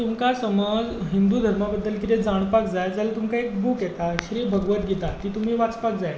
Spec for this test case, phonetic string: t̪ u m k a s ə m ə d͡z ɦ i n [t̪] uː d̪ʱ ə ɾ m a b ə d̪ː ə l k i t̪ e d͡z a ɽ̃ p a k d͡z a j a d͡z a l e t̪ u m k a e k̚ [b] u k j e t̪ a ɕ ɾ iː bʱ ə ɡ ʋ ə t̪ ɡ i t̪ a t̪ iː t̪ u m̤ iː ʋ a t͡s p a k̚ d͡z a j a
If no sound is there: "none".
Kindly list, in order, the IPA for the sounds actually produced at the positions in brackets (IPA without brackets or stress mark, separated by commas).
d̪, b